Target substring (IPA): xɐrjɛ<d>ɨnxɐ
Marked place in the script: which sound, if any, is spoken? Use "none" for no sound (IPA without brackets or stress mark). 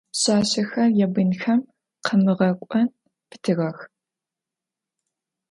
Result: b